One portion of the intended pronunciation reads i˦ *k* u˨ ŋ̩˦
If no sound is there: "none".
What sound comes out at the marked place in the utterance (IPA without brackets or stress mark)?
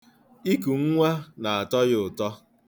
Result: k